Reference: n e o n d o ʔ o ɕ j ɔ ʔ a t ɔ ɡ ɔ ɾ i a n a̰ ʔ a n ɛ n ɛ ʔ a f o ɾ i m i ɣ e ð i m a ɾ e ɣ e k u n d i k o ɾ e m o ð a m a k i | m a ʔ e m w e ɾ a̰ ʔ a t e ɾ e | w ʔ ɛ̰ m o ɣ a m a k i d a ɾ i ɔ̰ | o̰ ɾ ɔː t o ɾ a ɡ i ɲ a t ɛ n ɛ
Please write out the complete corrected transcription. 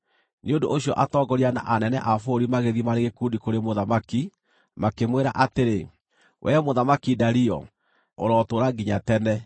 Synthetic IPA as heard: n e o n d o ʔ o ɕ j ɔ ʔ a t ɔ ɡ ɔ ɾ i a n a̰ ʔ a n ɛ n ɛ ʔ a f o ɾ i m a ɣ e ð i m a ɾ e ɣ e k u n d i k o ɾ e m o ð a m a k i | m a k e m w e ɾ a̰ ʔ a t e ɾ e | w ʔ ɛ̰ m o ð a m a k i d a ɾ i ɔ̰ | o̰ ɾ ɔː t o ɾ a ɡ i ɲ a t ɛ n ɛ